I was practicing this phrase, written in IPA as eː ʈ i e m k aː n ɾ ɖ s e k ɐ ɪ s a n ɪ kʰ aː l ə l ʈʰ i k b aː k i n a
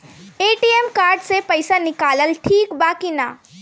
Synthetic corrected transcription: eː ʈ i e m k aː ɾ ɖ s e p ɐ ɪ s a n ɪ k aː l ə l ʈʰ iː k b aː k i n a